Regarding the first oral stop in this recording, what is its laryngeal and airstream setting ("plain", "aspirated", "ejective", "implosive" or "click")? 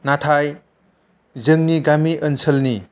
aspirated